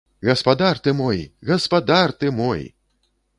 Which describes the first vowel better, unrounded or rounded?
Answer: unrounded